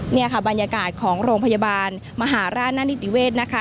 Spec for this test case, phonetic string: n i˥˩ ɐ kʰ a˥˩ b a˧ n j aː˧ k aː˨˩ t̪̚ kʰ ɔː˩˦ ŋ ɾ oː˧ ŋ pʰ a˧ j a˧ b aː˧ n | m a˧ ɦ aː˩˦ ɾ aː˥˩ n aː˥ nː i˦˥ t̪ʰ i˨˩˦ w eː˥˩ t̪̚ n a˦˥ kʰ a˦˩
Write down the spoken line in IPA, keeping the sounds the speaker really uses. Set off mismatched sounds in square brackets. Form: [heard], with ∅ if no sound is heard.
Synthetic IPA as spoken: n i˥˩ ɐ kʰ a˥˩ b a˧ n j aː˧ k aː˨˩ t̪̚ kʰ ɔː˩˦ ŋ ɾ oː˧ ŋ pʰ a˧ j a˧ b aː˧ n | m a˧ ɦ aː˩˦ ɾ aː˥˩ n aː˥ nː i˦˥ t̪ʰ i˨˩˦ w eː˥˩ t̪̚ n a˦˥ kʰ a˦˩